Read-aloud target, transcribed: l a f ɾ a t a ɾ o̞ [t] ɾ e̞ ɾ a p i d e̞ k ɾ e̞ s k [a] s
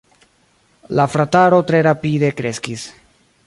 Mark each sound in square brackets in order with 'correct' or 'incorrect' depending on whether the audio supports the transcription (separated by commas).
correct, incorrect